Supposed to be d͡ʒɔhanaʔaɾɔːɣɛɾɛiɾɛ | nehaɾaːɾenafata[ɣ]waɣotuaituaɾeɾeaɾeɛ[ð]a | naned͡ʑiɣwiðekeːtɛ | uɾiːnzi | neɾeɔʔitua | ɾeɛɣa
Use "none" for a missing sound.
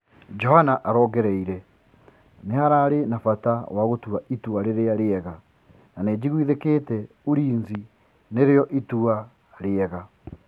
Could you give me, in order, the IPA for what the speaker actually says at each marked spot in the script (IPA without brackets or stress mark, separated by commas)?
none, ɣ